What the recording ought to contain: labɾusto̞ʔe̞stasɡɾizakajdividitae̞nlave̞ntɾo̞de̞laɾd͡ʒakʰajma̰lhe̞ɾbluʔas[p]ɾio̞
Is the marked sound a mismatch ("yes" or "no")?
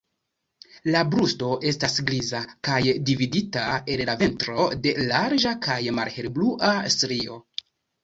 yes